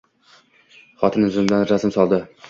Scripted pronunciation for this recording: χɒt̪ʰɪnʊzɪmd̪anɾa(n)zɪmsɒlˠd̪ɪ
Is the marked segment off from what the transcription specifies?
yes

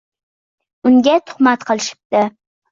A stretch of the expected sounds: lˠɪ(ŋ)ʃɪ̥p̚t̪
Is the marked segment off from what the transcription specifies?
yes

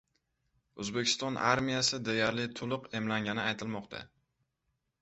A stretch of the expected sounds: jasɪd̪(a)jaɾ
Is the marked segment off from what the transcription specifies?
yes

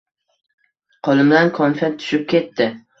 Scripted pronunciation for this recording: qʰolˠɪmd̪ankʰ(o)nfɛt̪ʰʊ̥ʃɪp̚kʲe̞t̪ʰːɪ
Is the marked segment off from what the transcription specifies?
yes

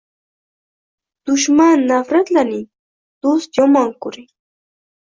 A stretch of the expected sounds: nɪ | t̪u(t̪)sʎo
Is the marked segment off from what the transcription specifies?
yes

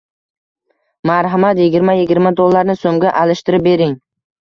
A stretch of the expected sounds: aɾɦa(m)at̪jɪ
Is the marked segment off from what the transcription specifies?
no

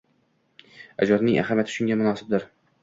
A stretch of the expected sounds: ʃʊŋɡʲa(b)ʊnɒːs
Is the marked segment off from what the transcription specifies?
yes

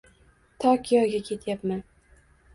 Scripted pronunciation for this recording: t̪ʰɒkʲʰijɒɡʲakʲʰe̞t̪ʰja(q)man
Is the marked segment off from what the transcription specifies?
yes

